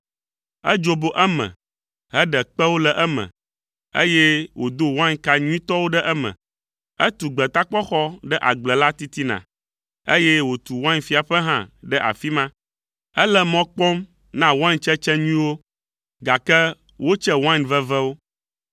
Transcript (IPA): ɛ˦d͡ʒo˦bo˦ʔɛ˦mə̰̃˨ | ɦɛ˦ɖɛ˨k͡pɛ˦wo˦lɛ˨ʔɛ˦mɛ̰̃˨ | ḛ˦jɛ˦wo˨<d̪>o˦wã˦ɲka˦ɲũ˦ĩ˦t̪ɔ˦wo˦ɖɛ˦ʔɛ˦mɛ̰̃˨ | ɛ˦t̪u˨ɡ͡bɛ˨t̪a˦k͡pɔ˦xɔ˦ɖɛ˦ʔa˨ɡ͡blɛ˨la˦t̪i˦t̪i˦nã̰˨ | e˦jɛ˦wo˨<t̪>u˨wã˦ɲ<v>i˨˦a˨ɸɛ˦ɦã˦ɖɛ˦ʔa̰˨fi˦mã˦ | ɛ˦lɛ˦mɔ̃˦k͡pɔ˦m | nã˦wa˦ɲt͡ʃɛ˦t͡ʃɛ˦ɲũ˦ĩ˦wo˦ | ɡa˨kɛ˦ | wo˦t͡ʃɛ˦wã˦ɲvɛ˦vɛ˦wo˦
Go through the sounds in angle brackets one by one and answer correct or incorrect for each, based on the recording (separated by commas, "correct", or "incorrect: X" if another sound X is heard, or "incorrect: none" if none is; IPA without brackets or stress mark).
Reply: correct, correct, incorrect: f